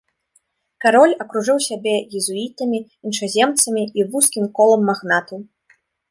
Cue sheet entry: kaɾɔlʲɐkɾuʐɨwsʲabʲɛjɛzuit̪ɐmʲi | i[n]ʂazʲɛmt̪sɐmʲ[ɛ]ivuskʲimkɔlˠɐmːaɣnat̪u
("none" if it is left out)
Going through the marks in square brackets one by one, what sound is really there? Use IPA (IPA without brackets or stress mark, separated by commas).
n, i